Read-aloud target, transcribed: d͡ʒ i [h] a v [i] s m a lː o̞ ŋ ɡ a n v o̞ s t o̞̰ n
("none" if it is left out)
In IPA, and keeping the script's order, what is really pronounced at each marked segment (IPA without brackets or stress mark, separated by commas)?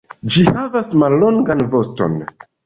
h, a